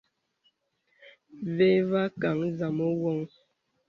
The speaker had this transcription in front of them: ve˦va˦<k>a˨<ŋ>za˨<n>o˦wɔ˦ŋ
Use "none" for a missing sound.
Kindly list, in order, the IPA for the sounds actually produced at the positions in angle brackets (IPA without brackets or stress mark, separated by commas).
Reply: k, ŋ, m